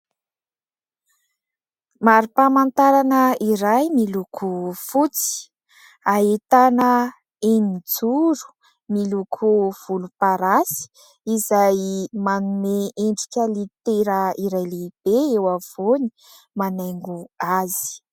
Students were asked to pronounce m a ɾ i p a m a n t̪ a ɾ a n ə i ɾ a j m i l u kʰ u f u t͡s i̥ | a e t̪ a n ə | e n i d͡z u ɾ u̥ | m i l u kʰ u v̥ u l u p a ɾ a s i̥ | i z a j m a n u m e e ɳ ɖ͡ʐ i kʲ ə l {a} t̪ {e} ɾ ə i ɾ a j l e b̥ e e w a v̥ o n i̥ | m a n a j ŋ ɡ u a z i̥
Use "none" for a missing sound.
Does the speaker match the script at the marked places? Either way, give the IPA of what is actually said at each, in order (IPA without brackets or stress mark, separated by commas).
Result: i, e